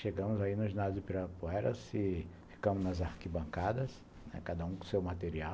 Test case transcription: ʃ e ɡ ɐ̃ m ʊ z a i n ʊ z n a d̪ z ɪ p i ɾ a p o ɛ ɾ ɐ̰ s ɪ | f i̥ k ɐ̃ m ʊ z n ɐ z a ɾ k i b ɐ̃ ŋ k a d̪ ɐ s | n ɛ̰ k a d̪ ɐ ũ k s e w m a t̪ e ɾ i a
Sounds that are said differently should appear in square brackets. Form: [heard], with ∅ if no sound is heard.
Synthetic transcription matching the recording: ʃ e ɡ ɐ̃ m ʊ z a i n ʊ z n a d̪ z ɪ p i ɾ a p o ɛ ɾ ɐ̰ s ɪ | f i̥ k ɐ̃ m ʊ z n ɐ z a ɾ k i b ɐ̃ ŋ k a d̪ ɐ s | n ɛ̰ k a d̪ ɐ ũ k s e w m a t̪ e ɾ i a